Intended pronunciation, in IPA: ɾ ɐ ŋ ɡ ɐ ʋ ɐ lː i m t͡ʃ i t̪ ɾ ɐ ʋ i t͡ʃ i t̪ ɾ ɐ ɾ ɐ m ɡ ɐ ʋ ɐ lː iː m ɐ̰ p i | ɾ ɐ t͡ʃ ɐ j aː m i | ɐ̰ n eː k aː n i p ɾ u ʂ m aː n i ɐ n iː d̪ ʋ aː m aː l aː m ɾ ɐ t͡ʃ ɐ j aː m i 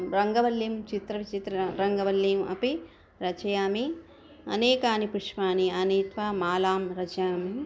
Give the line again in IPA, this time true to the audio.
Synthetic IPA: ɾ ɐ ŋ ɡ ɐ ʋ ɐ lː i m t͡ʃ i t̪ ɾ ɐ ʋ i t͡ʃ i t̪ ɾ ɐ ɾ ɐ ŋ ɡ ɐ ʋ ɐ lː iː m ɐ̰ p i | ɾ ɐ t͡ʃ ɐ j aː m i | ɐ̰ n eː k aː n i p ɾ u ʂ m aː n i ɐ n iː t̪ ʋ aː m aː l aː m ɾ ɐ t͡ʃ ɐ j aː m i